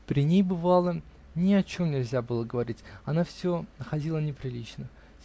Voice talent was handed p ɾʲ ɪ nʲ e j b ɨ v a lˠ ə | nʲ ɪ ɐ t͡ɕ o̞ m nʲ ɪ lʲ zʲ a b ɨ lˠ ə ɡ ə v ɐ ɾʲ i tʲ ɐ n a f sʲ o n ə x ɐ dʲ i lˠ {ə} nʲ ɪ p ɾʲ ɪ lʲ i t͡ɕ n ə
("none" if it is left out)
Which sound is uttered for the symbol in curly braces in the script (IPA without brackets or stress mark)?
ə